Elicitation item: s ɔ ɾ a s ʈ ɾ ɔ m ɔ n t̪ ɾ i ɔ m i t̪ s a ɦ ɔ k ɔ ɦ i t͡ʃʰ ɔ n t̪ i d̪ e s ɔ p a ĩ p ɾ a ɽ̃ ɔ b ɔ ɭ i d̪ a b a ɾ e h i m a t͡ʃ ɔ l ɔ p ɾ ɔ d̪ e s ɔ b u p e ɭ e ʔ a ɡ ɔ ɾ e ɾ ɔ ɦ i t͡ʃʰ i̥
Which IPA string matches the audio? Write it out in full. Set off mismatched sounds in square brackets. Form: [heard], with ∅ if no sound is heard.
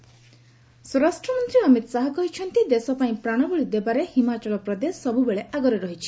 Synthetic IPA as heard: s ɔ ɾ a s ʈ ɾ ɔ m ɔ n t̪ ɾ i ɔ m i t̪ s a ɦ ɔ k ɔ ɦ i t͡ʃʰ ɔ n t̪ i d̪ e s ɔ p a ĩ p ɾ a ɽ̃ ɔ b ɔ ɭ i d̪ [e] b a ɾ e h i m a t͡ʃ ɔ l ɔ p ɾ ɔ d̪ e s ɔ b u [b] e ɭ e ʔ a ɡ ɔ ɾ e ɾ ɔ ɦ i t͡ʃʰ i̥